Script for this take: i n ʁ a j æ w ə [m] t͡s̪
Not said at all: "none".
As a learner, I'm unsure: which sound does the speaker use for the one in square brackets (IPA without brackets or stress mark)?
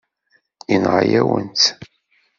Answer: n